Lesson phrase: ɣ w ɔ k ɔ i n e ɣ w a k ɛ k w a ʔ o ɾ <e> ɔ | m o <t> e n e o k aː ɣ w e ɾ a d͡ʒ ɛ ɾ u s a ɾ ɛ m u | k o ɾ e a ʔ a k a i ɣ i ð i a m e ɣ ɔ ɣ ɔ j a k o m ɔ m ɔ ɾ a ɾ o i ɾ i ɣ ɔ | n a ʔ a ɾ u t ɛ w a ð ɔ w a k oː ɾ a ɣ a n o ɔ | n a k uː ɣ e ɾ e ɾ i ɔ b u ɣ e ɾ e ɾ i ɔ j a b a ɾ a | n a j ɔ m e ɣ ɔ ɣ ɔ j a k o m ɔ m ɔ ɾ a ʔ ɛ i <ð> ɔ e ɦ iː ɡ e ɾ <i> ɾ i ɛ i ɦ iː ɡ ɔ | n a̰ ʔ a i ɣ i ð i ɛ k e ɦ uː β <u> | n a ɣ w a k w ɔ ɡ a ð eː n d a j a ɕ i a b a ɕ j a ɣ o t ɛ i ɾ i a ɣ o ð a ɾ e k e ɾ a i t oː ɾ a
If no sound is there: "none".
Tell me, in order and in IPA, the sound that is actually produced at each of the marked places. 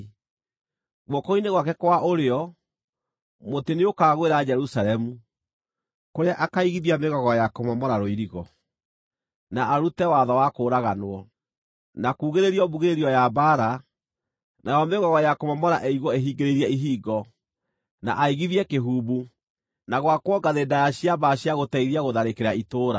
e, t, ɣ, e, u

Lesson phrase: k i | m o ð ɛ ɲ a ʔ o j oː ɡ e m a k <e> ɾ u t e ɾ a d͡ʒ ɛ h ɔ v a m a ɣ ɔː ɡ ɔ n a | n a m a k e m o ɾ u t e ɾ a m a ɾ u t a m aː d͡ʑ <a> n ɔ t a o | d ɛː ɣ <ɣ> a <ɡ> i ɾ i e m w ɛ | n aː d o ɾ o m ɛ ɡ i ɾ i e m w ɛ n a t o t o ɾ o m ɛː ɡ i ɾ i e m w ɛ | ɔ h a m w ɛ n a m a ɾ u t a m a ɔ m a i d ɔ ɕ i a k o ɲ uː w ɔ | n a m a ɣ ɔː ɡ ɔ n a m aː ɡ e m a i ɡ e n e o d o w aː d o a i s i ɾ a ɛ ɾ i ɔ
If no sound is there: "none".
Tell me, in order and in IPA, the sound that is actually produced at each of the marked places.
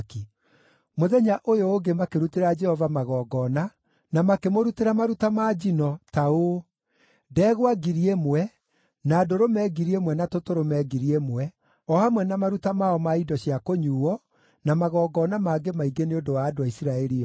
e, i, w, ɡ

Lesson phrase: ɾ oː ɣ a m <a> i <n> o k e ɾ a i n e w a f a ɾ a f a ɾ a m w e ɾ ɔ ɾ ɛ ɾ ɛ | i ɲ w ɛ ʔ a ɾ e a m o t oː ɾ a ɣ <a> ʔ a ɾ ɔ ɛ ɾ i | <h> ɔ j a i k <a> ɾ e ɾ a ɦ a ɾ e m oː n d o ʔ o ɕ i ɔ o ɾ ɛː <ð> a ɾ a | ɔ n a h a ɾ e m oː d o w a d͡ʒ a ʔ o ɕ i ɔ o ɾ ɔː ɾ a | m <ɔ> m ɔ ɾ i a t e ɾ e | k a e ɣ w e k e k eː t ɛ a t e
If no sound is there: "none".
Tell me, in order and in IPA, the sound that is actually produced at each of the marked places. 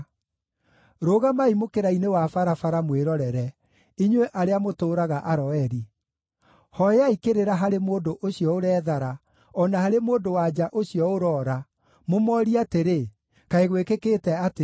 a, m, a, h, e, ð, o

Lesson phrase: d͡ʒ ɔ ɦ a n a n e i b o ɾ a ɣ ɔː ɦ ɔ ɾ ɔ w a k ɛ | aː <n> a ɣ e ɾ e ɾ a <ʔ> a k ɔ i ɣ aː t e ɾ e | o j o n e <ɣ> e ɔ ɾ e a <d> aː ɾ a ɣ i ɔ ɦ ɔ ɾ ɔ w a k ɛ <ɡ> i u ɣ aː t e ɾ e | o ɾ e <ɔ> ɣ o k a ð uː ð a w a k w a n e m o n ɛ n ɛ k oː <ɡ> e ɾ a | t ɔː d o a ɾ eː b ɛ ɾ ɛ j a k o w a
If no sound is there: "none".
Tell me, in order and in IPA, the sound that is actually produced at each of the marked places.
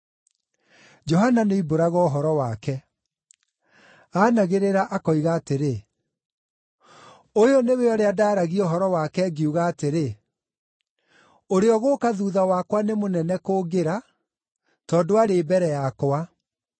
n, ʔ, w, d, ɡ, ɔ, ɡ

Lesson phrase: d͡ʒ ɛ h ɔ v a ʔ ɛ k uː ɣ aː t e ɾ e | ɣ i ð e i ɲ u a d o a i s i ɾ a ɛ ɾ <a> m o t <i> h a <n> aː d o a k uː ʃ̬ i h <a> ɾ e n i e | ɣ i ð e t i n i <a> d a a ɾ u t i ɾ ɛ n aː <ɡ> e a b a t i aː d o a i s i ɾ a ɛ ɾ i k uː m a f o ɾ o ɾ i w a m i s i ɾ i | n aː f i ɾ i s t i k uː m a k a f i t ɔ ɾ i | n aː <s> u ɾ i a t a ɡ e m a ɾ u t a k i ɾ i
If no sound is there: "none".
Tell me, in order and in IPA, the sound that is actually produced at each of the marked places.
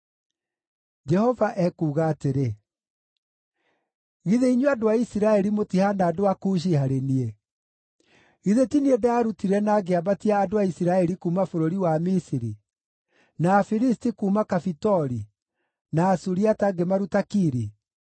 i, i, n, a, e, ɡ, s

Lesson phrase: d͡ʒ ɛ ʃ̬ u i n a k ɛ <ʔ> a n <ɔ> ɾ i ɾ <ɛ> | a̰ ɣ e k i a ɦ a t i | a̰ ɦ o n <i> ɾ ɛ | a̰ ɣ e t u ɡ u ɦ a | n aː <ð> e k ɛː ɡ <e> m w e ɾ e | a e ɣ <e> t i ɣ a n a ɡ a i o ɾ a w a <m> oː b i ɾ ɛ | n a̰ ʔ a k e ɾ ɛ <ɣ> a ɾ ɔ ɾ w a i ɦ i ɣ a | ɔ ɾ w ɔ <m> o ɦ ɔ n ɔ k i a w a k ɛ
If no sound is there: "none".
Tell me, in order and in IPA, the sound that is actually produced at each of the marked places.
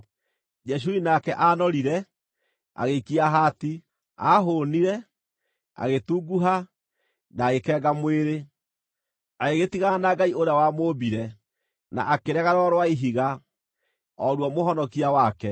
ʔ, ɔ, ɛ, i, ɣ, a, e, m, ɣ, m

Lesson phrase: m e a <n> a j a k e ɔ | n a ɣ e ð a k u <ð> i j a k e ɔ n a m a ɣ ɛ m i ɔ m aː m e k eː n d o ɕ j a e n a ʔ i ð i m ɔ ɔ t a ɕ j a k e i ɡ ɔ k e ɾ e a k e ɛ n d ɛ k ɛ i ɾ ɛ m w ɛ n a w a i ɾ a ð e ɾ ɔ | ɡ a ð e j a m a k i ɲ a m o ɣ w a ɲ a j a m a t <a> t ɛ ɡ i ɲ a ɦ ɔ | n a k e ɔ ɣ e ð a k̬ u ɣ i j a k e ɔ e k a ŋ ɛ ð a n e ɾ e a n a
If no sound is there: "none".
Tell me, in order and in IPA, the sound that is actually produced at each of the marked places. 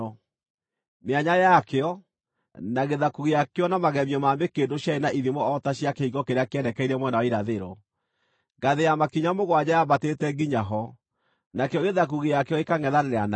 ɲ, ɣ, e

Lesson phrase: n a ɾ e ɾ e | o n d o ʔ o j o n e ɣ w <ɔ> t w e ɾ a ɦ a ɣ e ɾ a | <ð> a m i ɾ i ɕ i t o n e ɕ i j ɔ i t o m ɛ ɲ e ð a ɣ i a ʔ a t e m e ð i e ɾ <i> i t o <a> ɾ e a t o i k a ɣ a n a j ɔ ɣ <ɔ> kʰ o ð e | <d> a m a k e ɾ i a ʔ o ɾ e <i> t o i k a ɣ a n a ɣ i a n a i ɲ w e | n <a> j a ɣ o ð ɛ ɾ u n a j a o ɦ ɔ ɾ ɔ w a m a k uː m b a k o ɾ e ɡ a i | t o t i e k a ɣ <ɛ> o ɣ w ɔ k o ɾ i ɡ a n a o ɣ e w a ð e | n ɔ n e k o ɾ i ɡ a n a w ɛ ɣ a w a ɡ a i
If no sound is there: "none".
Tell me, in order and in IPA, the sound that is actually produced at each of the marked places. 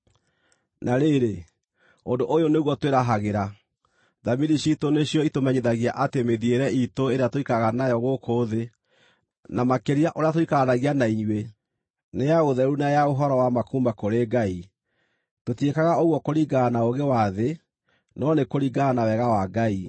ɔ, ð, ɛ, e, o, n, a, e, a

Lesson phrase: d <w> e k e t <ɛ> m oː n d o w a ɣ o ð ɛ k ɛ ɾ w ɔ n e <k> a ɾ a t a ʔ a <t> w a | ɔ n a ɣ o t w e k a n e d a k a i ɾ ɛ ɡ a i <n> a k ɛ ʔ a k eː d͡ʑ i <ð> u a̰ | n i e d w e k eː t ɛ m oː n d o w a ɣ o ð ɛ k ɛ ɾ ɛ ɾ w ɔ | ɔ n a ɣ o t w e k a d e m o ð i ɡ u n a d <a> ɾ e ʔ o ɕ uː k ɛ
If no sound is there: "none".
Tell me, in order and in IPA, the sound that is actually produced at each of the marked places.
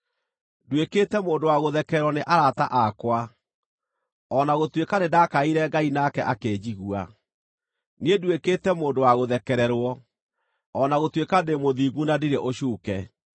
w, ɛ, ʔ, k, n, ɣ, i

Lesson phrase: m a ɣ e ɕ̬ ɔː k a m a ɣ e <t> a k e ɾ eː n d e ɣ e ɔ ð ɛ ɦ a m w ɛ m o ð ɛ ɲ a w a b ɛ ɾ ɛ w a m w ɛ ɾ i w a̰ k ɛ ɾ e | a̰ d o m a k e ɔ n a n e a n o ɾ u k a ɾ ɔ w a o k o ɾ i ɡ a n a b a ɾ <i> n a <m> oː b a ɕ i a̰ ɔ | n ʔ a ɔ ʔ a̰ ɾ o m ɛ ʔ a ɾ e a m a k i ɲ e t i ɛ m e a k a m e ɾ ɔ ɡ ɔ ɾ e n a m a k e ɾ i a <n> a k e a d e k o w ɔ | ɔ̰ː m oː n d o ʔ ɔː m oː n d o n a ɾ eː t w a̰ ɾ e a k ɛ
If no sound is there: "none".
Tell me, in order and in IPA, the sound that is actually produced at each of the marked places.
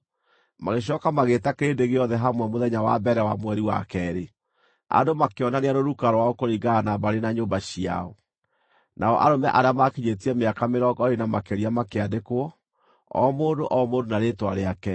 t, e, ɲ, m

